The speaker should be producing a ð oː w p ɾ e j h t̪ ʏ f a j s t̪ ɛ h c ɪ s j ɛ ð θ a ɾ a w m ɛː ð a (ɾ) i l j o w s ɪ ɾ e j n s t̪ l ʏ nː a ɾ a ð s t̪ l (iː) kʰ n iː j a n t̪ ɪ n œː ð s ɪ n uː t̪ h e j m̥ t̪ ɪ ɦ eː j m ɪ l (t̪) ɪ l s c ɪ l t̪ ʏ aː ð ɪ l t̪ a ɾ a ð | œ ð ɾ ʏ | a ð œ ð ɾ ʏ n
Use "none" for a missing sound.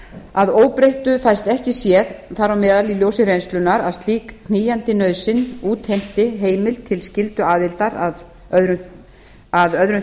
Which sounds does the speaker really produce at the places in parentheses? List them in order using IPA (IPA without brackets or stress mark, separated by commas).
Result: l, iː, t̪ʰ